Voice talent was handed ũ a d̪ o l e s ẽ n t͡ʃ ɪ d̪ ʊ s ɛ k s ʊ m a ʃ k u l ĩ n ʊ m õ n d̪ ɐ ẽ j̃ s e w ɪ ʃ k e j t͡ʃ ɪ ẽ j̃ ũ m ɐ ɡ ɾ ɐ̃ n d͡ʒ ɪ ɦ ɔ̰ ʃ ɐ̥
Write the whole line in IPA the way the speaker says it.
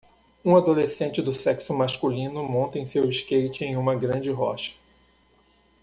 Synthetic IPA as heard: ũ a d̪ o l e s ẽ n t͡ʃ ɪ d̪ ʊ s ɛ k s ʊ m a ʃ k u l ĩ n ʊ m õ n t̪ ɐ ẽ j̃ s e w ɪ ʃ k e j t͡ʃ ɪ ẽ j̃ ũ m ɐ ɡ ɾ ɐ̃ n d͡ʒ ɪ ɦ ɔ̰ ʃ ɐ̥